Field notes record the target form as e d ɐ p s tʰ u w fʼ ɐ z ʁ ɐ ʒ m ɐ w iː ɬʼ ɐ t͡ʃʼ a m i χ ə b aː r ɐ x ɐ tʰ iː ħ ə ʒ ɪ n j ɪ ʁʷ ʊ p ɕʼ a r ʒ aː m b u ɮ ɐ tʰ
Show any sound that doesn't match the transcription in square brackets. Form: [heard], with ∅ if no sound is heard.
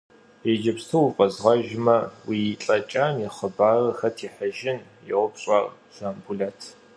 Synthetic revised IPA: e [d͡ʒ] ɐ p s tʰ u w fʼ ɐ z ʁ ɐ ʒ m ɐ w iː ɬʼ ɐ t͡ʃʼ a m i χ ə b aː r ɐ x ɐ tʰ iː ħ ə ʒ ɪ n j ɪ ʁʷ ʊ p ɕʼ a r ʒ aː m b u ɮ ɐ tʰ